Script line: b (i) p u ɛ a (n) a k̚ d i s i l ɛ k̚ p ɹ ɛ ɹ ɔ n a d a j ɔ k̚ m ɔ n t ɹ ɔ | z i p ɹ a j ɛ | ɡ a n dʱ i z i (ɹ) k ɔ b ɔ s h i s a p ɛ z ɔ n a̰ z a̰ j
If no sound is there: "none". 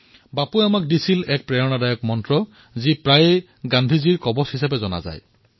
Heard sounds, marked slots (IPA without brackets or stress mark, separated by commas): a, m, ɹ